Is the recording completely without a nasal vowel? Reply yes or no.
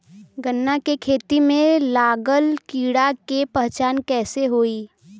no